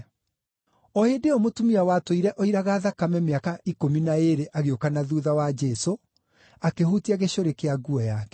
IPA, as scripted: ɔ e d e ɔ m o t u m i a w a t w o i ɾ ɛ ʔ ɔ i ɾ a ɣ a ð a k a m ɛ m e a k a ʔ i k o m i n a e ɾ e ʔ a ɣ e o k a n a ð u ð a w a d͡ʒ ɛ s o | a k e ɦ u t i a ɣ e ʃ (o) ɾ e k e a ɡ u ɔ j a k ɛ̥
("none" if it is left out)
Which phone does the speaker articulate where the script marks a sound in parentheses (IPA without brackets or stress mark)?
o